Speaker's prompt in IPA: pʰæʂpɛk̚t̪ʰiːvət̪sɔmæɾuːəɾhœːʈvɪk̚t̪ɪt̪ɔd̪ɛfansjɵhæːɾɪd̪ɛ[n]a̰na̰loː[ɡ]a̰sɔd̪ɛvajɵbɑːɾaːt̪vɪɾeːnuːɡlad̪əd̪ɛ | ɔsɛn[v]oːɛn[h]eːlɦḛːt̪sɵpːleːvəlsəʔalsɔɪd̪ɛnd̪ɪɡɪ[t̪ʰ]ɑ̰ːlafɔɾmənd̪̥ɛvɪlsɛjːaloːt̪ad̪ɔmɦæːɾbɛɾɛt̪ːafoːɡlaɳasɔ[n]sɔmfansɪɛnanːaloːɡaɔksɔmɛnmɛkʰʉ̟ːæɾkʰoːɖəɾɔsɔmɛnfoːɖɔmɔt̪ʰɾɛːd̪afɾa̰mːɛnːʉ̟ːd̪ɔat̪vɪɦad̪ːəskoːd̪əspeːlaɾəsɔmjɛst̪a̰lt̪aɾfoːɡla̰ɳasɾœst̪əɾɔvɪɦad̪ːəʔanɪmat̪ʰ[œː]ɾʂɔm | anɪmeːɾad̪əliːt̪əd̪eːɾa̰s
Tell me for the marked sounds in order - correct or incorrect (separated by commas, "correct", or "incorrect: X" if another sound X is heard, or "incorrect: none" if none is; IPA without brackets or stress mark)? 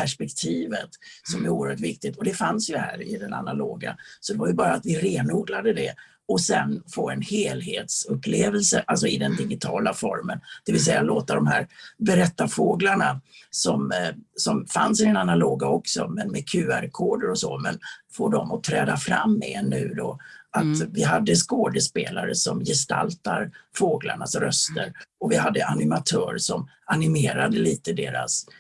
correct, correct, incorrect: f, correct, correct, incorrect: m, correct